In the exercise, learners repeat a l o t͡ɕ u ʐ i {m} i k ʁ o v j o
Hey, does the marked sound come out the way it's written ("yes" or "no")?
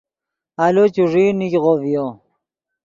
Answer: no